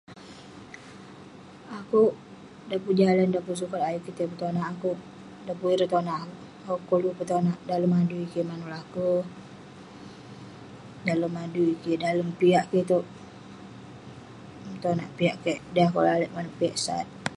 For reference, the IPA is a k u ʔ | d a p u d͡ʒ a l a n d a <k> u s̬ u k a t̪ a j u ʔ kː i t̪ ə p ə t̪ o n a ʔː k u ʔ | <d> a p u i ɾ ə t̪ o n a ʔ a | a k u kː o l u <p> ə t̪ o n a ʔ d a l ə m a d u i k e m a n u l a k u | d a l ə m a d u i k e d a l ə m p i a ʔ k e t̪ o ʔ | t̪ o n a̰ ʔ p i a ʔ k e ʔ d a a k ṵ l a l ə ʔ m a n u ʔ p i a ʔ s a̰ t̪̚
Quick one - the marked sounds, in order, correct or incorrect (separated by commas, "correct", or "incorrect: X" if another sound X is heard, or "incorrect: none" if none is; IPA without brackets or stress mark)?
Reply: incorrect: p, correct, correct